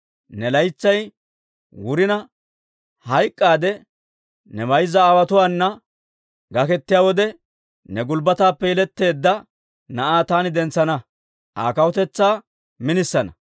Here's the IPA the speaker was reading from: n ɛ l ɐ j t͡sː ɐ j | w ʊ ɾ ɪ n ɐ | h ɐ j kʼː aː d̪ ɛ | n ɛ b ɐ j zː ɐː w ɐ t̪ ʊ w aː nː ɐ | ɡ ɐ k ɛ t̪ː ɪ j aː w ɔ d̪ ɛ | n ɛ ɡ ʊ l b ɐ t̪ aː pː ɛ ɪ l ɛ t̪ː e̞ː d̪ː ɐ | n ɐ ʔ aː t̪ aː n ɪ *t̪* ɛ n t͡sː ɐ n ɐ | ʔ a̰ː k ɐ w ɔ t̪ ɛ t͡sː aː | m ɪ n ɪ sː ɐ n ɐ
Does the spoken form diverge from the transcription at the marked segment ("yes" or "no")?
yes